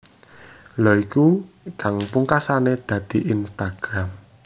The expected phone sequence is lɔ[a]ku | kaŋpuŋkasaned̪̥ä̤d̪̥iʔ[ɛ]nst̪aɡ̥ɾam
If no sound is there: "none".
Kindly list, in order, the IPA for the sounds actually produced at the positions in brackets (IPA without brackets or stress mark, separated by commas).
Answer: i, i